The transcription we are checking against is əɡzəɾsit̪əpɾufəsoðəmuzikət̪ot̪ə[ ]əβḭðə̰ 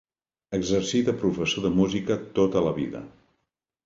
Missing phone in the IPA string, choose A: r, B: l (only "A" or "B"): B